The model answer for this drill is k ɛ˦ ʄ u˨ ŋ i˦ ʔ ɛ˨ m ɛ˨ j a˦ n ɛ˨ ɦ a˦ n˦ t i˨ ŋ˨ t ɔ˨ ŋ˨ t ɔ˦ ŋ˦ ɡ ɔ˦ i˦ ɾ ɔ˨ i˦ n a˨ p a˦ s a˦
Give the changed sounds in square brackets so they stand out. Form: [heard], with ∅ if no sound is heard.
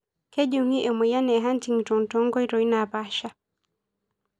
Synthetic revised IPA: k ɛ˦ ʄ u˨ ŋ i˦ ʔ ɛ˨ m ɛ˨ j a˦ n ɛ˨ ɦ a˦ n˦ t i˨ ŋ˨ t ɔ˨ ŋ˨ t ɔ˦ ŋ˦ ɡ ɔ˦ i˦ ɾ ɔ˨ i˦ n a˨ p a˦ [ʃ] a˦